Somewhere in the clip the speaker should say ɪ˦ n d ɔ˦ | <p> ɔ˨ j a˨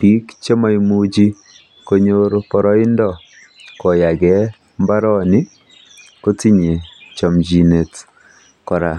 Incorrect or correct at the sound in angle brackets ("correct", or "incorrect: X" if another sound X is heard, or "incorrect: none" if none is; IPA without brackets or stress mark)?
incorrect: k